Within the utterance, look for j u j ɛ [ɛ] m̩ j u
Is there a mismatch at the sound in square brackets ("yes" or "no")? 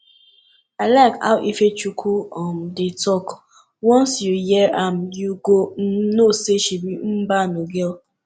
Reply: yes